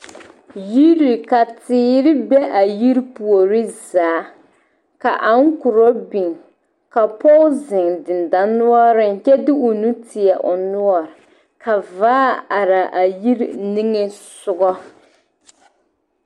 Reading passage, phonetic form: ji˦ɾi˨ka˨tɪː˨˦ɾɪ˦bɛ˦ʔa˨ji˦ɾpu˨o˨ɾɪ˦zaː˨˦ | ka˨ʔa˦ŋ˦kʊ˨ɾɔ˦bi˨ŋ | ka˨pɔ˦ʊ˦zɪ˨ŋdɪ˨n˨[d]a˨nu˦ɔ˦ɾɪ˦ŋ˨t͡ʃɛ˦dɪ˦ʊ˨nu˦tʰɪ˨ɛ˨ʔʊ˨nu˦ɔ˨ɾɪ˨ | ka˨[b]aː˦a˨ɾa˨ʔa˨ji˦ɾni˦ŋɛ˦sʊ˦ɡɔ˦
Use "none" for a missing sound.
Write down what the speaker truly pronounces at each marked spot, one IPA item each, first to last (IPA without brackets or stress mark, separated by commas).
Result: d, v